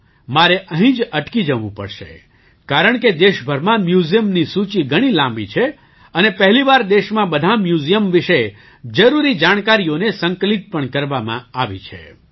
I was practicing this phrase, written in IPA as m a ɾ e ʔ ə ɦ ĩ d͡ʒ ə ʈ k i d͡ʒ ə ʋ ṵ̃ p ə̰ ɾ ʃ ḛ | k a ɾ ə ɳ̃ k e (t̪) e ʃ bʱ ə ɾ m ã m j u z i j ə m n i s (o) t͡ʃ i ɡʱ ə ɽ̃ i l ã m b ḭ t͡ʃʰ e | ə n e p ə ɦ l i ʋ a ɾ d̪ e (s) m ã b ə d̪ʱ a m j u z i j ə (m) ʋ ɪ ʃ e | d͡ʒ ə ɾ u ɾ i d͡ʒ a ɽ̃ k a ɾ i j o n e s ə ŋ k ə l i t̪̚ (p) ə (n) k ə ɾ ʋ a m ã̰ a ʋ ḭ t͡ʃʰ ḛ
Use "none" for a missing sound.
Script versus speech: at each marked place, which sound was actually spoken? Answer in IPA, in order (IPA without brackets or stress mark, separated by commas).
d̪, u, ʃ, m, p, ɳ